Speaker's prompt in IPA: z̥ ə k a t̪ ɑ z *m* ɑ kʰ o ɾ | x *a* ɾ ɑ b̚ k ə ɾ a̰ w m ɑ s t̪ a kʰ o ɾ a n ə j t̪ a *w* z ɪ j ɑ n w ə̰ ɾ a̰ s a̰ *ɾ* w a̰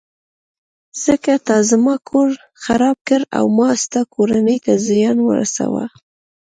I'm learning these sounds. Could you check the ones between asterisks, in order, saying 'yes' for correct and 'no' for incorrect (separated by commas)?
yes, yes, no, no